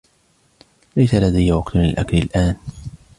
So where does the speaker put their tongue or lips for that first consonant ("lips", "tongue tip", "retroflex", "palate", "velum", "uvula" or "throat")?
tongue tip